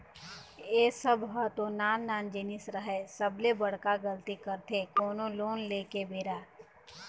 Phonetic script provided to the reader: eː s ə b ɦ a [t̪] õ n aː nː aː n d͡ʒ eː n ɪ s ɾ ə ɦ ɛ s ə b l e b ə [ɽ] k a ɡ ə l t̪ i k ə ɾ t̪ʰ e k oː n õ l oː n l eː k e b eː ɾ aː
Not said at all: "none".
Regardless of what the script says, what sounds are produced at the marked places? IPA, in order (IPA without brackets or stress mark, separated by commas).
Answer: t̪, ɽ